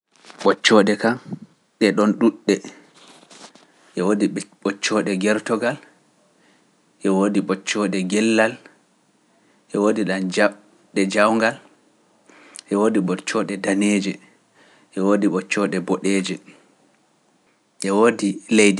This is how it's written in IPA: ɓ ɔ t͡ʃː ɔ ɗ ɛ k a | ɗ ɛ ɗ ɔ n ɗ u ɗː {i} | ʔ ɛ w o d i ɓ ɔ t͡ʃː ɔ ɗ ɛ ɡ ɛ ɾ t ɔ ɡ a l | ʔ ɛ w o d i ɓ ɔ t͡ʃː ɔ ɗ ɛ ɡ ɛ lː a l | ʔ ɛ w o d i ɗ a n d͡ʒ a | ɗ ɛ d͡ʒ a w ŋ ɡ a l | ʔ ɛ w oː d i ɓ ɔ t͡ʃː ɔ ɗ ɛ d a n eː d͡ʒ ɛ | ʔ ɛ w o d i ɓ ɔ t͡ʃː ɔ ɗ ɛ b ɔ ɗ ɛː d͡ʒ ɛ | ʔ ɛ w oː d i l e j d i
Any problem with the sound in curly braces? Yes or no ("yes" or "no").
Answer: yes